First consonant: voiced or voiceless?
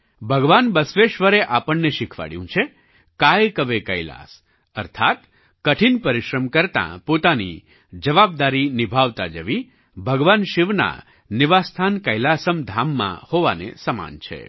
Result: voiced